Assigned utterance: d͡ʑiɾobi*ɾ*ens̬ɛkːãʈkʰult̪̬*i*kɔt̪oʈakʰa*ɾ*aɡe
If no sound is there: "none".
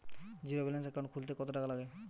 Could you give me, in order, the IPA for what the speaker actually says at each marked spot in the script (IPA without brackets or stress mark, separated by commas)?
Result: l, e, l